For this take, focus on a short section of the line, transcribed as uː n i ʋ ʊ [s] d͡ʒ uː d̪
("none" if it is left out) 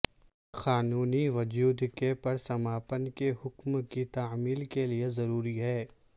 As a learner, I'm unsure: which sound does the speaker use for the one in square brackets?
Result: none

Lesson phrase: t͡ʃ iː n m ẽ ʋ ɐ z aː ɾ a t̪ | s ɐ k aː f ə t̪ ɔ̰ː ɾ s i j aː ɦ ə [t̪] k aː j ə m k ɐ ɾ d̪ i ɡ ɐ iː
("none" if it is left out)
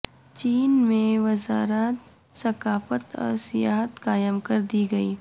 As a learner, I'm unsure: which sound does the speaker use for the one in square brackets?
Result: t̪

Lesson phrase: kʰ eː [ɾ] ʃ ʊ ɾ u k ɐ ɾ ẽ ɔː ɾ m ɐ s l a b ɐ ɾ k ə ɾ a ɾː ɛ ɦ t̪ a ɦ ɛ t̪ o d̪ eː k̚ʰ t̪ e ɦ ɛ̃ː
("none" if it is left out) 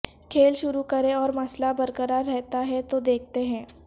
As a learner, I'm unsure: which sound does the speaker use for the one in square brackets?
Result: l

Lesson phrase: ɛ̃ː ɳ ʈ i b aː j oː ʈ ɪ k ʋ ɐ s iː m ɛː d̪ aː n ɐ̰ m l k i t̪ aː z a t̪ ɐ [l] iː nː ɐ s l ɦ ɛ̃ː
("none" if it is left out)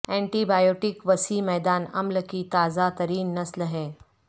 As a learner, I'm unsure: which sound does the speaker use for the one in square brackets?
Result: ɾ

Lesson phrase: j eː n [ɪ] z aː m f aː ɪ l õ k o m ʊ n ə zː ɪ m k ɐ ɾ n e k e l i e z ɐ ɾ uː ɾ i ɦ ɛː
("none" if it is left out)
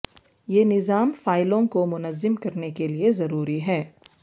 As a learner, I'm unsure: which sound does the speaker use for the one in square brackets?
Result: ɪ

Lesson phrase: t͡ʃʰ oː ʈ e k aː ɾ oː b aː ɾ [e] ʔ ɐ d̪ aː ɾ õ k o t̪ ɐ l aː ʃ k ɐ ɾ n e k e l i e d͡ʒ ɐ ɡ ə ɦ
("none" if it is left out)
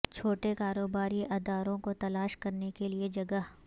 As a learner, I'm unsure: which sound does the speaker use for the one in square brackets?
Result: i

